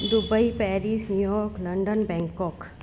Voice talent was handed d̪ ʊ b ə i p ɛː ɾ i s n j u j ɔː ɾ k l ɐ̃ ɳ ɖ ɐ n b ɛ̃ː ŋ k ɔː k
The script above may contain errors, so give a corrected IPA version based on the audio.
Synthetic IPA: d̪ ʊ b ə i p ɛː ɾ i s n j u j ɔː ɾ k l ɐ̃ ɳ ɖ ə n b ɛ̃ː ŋ k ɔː k

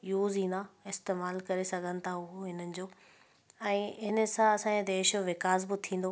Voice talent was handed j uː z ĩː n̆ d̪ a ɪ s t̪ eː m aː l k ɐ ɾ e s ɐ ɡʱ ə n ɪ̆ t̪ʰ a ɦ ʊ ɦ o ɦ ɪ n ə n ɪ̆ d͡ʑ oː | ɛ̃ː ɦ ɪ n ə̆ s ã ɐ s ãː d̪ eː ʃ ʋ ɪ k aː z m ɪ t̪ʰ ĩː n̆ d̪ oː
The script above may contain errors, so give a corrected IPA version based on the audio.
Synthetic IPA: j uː z ĩː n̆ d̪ a ɪ s t̪ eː m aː l k ɐ ɾ e s ɐ ɡʱ ə n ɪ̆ t̪ʰ a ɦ ʊ ɦ o ɦ ɪ n ə n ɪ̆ d͡ʑ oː | ɛ̃ː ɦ ɪ n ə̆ s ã ɐ s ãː d̪ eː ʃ ʋ ɪ k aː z b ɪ t̪ʰ ĩː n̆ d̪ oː

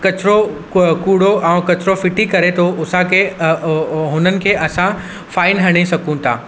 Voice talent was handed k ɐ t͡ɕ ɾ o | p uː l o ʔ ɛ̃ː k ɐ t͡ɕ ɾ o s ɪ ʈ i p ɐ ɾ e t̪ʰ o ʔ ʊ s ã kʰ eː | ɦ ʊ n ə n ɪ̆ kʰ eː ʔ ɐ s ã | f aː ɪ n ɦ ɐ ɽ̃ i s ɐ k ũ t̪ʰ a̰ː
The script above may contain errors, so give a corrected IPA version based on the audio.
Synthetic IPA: k ɐ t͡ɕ ɾ o | k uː ɽ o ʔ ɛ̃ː k ɐ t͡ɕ ɾ o f ɪ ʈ i k ɐ ɾ e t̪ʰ o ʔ ʊ s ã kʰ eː | ɦ ʊ n ə n ɪ̆ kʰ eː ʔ ɐ s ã | f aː ɪ n ɦ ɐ ɽ̃ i s ɐ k ũ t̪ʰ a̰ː

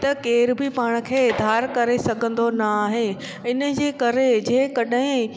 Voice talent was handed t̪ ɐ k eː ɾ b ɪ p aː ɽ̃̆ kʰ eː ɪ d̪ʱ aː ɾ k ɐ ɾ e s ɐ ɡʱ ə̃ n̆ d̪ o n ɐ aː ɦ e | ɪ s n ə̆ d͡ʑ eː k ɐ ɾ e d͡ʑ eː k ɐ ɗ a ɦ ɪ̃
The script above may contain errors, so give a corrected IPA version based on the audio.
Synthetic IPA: t̪ ɐ k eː ɾ b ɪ p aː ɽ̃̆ kʰ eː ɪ d̪ʱ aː ɾ k ɐ ɾ e s ɐ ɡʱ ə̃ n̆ d̪ o n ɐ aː ɦ e | ɪ n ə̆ d͡ʑ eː k ɐ ɾ e d͡ʑ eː k ɐ ɗ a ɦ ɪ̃

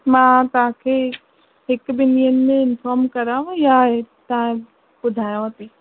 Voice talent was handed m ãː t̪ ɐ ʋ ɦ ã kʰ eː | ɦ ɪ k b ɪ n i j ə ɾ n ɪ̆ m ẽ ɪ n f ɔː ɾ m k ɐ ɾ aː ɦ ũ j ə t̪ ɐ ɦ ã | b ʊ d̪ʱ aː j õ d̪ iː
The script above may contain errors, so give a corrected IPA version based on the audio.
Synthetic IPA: m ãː t̪ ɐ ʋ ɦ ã kʰ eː | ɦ ɪ k b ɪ n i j ə n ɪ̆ m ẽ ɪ n f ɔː ɾ m k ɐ ɾ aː ɦ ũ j a t̪ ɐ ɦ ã | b ʊ d̪ʱ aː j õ t̪ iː

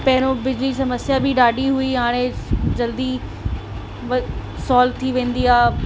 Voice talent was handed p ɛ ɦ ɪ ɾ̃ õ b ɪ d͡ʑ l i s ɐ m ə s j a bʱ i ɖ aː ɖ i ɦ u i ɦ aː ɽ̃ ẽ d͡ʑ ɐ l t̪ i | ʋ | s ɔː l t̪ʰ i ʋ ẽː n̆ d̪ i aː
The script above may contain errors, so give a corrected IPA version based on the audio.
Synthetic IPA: p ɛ ɦ ɪ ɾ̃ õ b ɪ d͡ʑ l i s ɐ m ə s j a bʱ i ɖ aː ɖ i ɦ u i ɦ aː ɽ̃ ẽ d͡ʑ ɐ l d̪ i | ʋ | s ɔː l t̪ʰ i ʋ ẽː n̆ d̪ i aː

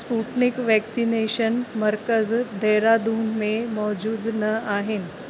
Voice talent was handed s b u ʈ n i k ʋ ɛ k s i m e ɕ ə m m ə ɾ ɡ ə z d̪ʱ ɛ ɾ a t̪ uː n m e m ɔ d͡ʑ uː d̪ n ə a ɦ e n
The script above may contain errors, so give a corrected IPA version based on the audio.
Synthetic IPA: s p u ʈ n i k ʋ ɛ k s i n e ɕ ə n m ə ɾ k ə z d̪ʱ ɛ ɾ a d̪ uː n m e m ɔ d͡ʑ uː d̪ n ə a ɦ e n

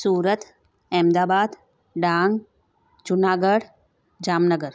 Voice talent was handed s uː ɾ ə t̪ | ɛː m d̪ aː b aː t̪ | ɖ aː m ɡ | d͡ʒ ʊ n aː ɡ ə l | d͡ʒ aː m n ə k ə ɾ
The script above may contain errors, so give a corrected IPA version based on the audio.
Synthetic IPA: s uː ɾ ə t̪ | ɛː m d̪ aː b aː d̪ | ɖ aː ŋ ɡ | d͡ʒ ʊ n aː ɡ ə ɽ | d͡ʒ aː m n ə ɡ ə ɾ

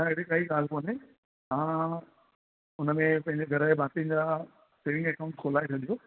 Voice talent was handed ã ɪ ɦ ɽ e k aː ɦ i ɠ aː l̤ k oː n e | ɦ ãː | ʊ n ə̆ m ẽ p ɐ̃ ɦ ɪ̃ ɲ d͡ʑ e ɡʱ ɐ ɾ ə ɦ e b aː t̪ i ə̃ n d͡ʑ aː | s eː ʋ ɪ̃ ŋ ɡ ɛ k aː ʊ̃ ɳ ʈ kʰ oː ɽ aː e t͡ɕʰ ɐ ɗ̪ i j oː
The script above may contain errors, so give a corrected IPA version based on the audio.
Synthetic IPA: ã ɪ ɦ ɽ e k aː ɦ i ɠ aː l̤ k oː n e | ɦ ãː | ʊ n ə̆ m ẽ p ɐ̃ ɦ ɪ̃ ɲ d͡ʑ e ɡʱ ɐ ɾ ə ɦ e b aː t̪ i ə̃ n d͡ʑ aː | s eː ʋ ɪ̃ ŋ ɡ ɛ k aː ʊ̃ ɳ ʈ kʰ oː l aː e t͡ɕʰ ɐ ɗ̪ i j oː

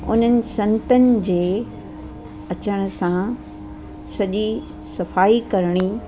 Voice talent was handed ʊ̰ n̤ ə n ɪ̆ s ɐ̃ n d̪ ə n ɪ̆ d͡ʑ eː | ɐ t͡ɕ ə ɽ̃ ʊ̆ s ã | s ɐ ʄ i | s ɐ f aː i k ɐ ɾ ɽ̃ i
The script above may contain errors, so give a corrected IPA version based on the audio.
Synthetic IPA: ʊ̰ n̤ ə n ɪ̆ s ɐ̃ n t̪ ə n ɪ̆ d͡ʑ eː | ɐ t͡ɕ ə ɽ̃ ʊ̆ s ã | s ɐ ʄ i | s ɐ f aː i k ɐ ɾ ɽ̃ i

